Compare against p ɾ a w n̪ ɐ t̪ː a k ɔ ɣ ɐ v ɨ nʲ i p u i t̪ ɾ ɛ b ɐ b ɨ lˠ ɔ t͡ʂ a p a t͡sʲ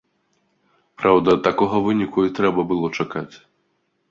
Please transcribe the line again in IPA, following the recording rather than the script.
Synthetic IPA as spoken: p ɾ a w d̪ ɐ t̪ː a k ɔ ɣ ɐ v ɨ nʲ i k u i t̪ ɾ ɛ b ɐ b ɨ lˠ ɔ t͡ʂ a k a t͡sʲ